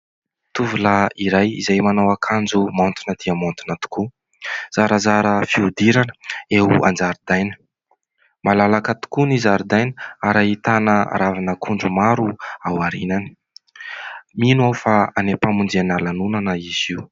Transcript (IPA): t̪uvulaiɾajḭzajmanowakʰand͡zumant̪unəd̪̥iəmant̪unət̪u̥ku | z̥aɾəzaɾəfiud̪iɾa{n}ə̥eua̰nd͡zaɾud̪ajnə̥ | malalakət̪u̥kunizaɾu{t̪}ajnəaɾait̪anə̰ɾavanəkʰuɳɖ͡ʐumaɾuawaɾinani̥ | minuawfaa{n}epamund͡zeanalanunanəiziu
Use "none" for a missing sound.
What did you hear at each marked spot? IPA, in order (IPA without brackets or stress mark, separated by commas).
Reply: n, d̪, n